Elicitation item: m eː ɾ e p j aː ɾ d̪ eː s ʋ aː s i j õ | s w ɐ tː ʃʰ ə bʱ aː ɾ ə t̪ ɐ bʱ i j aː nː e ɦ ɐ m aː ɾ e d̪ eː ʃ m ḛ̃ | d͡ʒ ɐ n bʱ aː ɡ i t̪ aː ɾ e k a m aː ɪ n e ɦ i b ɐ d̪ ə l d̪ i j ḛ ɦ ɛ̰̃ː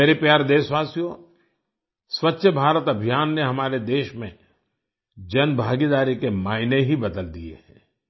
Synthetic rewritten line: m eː ɾ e p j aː ɾ d̪ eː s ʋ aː s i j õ | s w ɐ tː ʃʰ ə bʱ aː ɾ ə t̪ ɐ bʱ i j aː nː e ɦ ɐ m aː ɾ e d̪ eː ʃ m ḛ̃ | d͡ʒ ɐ n bʱ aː ɡ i d̪ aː ɾ i k e m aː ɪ n e ɦ i b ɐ d̪ ə l d̪ i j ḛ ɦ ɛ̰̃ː